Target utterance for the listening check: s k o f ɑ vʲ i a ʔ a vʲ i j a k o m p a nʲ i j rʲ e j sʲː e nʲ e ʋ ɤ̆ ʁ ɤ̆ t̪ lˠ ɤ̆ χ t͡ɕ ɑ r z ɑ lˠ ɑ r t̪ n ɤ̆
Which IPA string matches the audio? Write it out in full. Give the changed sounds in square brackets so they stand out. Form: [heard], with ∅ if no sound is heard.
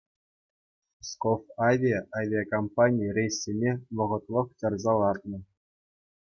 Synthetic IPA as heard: s k o f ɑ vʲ i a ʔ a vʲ i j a k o m p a nʲ i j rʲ e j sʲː e nʲ e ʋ ɤ̆ ʁ ɤ̆ t̪ lˠ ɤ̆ χ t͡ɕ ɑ r z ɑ lˠ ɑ r t̪ n ɤ̆